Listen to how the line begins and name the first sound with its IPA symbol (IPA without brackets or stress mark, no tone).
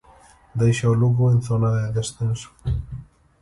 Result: d̪